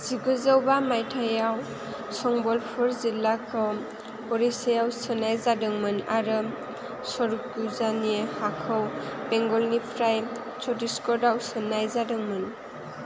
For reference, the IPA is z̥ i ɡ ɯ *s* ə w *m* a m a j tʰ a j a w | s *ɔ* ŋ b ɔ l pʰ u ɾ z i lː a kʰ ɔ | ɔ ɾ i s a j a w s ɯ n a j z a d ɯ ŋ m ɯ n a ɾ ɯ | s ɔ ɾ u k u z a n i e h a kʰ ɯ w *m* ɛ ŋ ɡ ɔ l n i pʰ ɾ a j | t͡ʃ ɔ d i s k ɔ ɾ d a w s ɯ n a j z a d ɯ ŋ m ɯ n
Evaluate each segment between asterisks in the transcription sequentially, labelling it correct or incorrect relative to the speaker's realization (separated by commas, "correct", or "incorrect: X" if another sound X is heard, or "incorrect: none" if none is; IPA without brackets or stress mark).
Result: incorrect: z, incorrect: b, correct, incorrect: b